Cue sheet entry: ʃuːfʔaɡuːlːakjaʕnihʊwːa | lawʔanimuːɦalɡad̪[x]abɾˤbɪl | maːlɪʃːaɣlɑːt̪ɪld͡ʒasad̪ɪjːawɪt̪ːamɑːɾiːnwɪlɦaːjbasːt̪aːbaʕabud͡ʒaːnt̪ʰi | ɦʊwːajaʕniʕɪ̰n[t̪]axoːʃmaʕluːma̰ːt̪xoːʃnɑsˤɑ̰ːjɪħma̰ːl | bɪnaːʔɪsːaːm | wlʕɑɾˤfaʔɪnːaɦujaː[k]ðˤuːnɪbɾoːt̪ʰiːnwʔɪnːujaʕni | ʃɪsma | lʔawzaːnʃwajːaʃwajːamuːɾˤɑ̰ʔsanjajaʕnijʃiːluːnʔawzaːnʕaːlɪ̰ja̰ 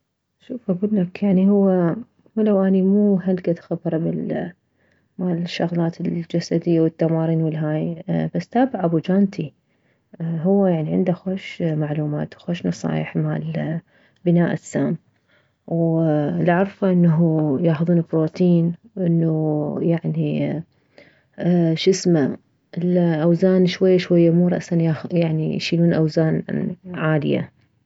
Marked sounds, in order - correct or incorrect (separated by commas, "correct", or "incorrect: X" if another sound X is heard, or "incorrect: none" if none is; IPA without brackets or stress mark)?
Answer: correct, incorrect: d̪, incorrect: x